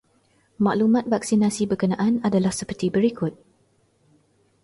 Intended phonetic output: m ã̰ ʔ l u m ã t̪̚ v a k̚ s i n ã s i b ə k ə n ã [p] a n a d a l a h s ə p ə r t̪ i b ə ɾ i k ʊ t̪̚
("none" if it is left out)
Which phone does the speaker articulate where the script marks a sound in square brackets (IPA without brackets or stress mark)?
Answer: ʔ